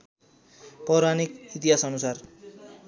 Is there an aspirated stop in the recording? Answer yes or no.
no